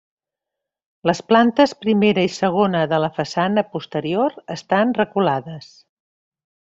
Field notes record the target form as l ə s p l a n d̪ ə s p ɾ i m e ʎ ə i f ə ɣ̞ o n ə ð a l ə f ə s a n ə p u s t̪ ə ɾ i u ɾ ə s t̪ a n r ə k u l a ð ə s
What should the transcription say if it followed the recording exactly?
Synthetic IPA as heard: l ə s p l a n t̪ ə s p ɾ i m e ɾ ə i s ə ɣ̞ o n ə ð ə l ə f ə s a n ə p u s t̪ ə ɾ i o ɾ ə s t̪ a n r ə k u l a ð ə s